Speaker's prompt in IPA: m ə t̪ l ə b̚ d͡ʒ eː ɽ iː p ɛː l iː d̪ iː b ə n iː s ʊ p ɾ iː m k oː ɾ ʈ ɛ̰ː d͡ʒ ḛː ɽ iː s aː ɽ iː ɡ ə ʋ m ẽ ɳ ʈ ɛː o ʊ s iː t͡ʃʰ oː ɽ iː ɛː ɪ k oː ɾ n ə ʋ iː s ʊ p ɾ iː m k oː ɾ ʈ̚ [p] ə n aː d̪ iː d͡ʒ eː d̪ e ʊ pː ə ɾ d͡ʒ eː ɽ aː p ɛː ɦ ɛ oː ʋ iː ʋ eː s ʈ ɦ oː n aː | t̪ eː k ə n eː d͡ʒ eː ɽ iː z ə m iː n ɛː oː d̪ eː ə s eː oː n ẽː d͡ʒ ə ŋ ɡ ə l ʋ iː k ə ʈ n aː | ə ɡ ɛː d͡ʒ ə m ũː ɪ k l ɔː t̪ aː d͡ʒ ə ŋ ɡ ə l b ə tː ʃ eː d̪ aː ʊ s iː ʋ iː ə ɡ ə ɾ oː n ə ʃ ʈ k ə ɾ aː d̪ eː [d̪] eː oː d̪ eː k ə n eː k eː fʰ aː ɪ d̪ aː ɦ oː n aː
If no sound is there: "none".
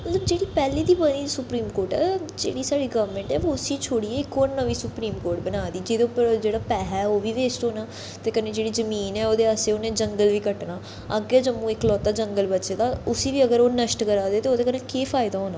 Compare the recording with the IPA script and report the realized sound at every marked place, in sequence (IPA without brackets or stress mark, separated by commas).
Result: b, t̪